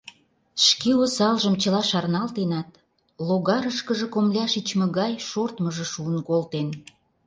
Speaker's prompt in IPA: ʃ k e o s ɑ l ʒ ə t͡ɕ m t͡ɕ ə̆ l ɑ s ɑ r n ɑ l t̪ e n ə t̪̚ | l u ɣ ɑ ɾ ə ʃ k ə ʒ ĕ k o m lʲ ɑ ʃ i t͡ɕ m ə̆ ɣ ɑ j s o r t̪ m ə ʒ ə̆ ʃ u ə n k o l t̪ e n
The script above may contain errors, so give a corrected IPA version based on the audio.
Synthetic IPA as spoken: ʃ k e o s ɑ l ʒ ə m t͡ɕ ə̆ l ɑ ʃ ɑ r n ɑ l t̪ e n ɑ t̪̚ | l o ɣ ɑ ɾ ə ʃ k ə ʒ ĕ k o m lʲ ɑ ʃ i t͡ɕ m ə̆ ɣ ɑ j ʃ o r t̪ m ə ʒ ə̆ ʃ u ə n k o l t̪ e n